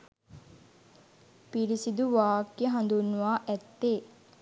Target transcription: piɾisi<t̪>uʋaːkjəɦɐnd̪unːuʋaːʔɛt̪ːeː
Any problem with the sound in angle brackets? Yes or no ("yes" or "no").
yes